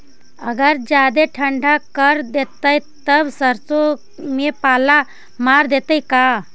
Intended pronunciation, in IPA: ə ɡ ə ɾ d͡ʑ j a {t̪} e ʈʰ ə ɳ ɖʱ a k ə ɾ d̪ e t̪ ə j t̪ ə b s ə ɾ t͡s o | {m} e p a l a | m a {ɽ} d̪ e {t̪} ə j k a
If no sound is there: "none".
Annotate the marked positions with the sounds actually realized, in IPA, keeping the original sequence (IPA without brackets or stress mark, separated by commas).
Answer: d̪, m, ɾ, t̪